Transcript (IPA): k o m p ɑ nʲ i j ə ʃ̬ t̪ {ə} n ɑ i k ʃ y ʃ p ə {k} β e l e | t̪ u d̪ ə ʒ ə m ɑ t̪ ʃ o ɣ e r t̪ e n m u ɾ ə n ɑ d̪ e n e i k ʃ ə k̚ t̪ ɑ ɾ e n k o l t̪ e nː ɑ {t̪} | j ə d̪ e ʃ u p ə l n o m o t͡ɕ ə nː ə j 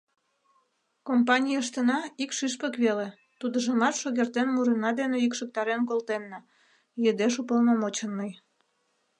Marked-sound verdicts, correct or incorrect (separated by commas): correct, correct, incorrect